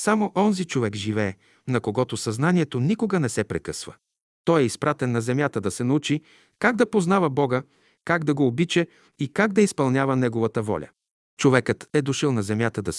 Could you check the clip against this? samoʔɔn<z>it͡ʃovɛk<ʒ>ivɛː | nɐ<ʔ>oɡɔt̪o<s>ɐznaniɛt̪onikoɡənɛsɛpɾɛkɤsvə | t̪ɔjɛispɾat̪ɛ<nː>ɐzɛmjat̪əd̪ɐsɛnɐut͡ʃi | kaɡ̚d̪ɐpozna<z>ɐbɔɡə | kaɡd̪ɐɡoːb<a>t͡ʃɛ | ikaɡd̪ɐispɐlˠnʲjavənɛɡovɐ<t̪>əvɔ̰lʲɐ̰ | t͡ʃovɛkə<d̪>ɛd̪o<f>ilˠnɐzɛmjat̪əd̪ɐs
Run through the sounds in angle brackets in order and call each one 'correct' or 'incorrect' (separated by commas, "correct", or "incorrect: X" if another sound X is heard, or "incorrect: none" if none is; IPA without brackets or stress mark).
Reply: correct, correct, incorrect: k, correct, correct, incorrect: v, incorrect: i, correct, incorrect: t̪, incorrect: ʃ